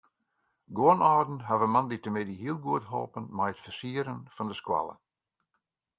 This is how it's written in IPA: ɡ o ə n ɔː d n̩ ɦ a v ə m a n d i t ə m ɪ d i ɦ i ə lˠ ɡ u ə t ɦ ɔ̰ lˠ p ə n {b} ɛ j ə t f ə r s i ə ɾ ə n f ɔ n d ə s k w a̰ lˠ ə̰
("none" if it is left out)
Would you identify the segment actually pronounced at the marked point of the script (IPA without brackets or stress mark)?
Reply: m